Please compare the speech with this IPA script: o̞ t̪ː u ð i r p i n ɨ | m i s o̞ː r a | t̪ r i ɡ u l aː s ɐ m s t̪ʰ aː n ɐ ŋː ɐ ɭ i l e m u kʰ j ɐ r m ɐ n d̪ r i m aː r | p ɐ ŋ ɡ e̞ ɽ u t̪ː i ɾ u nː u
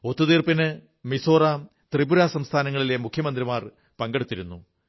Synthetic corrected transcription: o̞ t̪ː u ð iː r p i n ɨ | m i s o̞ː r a | t̪ r i b u ɾ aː s ɐ m s t̪ʰ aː n ɐ ŋː ɐ ɭ i l e m u kʰ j ɐ m ɐ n d̪ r i m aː r | p ɐ ŋ ɡ e̞ ɽ u t̪ː i ɾ u nː u

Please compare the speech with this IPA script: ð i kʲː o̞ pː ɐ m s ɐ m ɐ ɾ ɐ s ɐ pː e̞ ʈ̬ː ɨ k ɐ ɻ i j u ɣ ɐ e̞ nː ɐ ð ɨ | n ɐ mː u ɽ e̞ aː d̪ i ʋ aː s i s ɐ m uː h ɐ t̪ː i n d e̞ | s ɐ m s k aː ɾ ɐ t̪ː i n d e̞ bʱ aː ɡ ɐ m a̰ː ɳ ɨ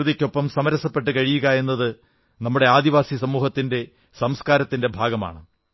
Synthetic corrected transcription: ð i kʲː o̞ pː ɐ m s ɐ m ɐ ɾ ɐ s ɐ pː e̞ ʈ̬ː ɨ k ɐ ɻ i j u ɣ ɐ e̞ nː ɐ ð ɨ | n ɐ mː u ɽ e̞ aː d̪ i ʋ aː s i s ɐ m uː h ɐ t̪ː i n d e̞ | s ɐ m s k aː ɾ ɐ t̪ː i n d e̞ bʱ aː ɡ ɐ m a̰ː ɳ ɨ

